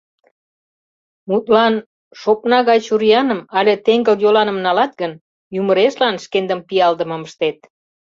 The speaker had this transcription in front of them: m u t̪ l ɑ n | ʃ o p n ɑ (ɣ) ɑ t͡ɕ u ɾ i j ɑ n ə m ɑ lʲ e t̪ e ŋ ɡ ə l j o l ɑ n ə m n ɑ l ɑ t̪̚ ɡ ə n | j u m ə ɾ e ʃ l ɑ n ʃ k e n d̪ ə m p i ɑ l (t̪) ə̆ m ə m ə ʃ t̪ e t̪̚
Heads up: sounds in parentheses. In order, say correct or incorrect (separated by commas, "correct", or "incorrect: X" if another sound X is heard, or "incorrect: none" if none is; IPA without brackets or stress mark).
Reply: correct, incorrect: d̪